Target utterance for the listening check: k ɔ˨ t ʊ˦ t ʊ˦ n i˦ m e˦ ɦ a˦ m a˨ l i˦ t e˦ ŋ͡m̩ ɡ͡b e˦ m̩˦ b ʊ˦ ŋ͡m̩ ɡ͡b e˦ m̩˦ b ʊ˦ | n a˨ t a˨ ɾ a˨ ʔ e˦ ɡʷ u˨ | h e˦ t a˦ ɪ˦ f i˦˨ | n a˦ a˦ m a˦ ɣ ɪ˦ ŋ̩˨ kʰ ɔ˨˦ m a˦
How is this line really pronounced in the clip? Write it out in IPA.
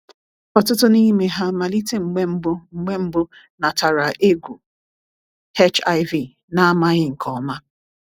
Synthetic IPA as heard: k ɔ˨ t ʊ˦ t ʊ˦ n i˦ m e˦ ɦ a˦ m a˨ l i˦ t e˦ ŋ͡m̩ ɡ͡b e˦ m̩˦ b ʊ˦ ŋ͡m̩ ɡ͡b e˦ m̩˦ b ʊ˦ | n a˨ t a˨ ɾ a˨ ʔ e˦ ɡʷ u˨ | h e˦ t͡ʃ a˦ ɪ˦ v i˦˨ | n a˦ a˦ m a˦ ɣ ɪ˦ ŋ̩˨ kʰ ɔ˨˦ m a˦